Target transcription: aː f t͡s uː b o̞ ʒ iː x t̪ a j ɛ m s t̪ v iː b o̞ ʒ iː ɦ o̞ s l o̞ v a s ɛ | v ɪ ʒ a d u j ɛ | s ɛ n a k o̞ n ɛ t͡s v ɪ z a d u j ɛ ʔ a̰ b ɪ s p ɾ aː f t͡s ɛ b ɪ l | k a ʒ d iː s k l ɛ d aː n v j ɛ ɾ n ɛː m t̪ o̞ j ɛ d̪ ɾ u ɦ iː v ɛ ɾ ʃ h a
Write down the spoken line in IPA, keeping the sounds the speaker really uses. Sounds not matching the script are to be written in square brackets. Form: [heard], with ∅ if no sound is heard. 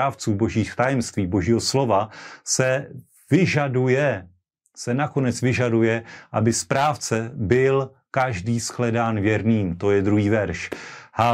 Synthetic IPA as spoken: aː f t͡s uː b o̞ ʒ iː x t̪ a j ɛ m s t̪ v iː b o̞ ʒ iː ɦ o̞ s l o̞ v a s ɛ | v ɪ ʒ a d u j ɛ | s ɛ n a k o̞ n ɛ t͡s v ɪ [ʒ] a d u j ɛ ʔ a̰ b ɪ s p ɾ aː f t͡s ɛ b ɪ l | k a ʒ d iː s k l ɛ d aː n v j ɛ ɾ n [iː] m t̪ o̞ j ɛ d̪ ɾ u ɦ iː v ɛ ɾ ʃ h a